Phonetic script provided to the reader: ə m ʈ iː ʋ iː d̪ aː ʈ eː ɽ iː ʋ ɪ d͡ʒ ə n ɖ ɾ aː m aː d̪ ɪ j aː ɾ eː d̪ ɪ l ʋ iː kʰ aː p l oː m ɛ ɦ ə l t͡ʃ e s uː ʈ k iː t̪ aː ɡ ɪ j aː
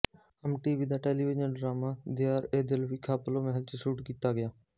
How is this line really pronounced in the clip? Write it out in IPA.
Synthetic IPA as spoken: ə m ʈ iː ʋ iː d̪ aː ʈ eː l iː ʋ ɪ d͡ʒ ə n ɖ ɾ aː m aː d̪ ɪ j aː ɾ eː d̪ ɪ l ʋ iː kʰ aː p l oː m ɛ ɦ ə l t͡ʃ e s uː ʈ k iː t̪ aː ɡ ɪ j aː